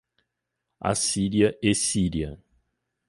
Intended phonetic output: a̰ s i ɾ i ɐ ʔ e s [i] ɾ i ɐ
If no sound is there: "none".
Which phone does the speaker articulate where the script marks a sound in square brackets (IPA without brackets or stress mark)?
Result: i